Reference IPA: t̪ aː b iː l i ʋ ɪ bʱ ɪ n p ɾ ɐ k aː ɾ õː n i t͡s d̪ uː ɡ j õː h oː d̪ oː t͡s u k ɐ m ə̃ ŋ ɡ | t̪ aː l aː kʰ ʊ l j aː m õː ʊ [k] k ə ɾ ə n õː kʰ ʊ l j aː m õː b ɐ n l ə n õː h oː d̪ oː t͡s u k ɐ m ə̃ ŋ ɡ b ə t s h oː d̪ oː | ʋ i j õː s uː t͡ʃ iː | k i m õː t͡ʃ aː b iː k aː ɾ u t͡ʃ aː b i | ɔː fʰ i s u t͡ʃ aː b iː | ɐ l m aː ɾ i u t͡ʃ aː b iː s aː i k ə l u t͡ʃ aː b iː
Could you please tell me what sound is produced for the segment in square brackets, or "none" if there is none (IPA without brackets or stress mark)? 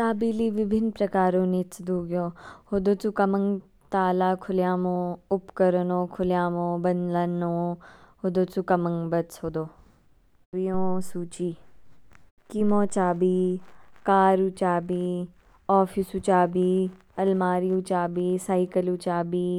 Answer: p